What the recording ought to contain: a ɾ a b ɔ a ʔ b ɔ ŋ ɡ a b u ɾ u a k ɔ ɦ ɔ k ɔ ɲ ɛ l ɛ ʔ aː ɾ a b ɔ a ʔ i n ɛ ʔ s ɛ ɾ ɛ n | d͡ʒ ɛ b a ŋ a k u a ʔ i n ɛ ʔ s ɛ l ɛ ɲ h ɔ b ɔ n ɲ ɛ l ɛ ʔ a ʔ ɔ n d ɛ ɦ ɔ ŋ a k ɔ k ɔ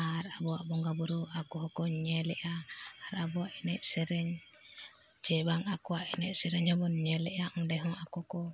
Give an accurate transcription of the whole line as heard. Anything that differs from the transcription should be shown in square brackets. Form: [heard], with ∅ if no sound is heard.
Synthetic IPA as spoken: a ɾ a b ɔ a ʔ b ɔ ŋ ɡ a b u ɾ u a k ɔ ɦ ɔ k ɔ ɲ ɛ l ɛ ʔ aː ɾ a b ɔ a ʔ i n ɛ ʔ s ɛ ɾ ɛ [ɲ] | d͡ʒ ɛ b a ŋ a k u a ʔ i n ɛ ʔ s ɛ [ɾ] ɛ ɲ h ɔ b ɔ n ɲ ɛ l ɛ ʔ a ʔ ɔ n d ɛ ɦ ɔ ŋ a k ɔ k ɔ

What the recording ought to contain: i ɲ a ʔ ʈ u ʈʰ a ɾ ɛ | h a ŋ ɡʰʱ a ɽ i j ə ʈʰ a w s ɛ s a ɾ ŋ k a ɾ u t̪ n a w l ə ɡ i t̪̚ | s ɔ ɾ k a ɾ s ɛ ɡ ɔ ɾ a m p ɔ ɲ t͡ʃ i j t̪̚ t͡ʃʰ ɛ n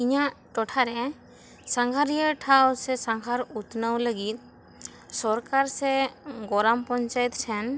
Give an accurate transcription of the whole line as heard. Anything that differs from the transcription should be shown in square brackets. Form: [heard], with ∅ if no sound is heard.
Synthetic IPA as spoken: i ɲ a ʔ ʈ [ɔ] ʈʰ a ɾ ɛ | [s] a ŋ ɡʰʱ a [ɾ] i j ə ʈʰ a w s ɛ s a [∅] ŋ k a ɾ u t̪ n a w l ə ɡ i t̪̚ | s ɔ ɾ k a ɾ s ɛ ɡ ɔ ɾ a m p ɔ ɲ t͡ʃ [a] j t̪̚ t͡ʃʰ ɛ n

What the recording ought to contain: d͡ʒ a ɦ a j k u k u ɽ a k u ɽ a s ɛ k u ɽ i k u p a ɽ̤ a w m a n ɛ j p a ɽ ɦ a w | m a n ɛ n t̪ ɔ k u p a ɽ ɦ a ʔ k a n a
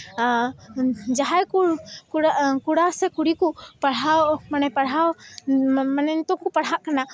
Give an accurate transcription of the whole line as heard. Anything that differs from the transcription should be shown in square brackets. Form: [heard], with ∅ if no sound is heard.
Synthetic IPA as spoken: d͡ʒ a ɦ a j k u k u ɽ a k u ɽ a s ɛ k u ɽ i k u p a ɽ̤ a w m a n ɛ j p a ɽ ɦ a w | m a n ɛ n t̪ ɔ k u p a ɽ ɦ a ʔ k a n a

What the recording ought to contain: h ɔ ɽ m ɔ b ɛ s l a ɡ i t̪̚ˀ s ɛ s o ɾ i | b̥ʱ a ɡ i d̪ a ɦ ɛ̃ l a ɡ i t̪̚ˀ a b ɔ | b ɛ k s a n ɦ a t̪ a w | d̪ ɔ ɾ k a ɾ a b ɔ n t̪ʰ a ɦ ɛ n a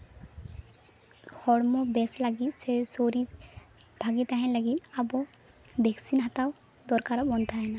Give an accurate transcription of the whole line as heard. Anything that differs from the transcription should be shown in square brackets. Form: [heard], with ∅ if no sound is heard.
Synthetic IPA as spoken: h ɔ ɽ m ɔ b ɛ s l a ɡ i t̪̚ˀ s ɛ s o ɾ i | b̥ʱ a ɡ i [t̪] a ɦ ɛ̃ l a ɡ i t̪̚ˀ a b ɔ | b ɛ k s [i] n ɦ a t̪ a w | d̪ ɔ ɾ k a ɾ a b ɔ n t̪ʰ a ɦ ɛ n a

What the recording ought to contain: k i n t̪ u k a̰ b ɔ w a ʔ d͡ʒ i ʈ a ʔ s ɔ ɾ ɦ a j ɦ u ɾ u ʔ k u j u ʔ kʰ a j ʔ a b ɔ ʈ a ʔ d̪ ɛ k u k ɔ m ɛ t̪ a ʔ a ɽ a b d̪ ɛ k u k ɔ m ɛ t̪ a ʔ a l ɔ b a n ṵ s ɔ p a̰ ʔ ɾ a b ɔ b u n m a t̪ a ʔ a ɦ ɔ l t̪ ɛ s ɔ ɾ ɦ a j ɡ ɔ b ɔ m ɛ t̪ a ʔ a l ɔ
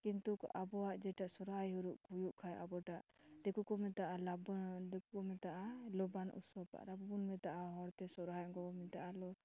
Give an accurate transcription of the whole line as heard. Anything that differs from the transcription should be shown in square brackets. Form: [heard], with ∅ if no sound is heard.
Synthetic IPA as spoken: k i n t̪ u k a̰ b ɔ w a ʔ d͡ʒ [ɛ] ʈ a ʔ s ɔ ɾ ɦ a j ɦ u ɾ u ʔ k u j u ʔ kʰ a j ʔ a b ɔ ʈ a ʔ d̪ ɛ k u k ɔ m ɛ t̪ a ʔ a [l] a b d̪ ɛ k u k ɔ m ɛ t̪ a ʔ a l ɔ b a n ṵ s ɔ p a̰ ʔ ɾ a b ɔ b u n m [ɛ] t̪ a ʔ a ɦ ɔ [ɾ] t̪ ɛ s ɔ ɾ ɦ a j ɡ ɔ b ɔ m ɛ t̪ a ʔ a l ɔ

